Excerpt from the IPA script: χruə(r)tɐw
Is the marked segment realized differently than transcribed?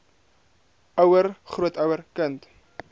yes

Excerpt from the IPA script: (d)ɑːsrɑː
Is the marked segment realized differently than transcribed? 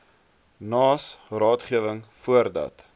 yes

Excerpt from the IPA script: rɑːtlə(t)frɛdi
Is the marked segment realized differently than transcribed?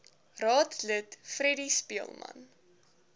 no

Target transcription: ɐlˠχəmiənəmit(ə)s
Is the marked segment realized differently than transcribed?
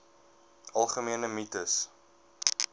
no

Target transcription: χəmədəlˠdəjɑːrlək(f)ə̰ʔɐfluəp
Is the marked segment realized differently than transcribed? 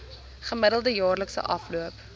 yes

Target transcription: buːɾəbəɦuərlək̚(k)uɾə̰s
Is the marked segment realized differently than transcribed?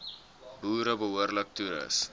yes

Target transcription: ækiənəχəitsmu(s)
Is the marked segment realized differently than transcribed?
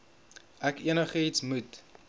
yes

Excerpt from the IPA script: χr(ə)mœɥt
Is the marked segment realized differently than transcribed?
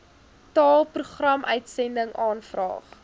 yes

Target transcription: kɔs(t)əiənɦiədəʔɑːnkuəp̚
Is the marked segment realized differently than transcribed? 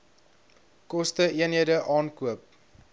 no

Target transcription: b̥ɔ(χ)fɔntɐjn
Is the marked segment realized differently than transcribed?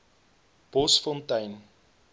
yes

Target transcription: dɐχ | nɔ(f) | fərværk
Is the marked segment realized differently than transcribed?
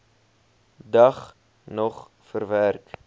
yes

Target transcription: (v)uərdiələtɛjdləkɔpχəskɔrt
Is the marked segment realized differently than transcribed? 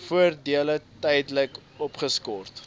yes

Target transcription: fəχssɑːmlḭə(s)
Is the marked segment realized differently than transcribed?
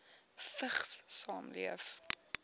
yes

